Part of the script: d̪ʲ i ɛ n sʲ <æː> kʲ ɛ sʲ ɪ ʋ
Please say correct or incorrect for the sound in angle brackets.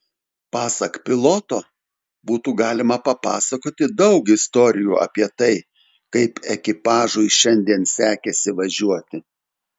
correct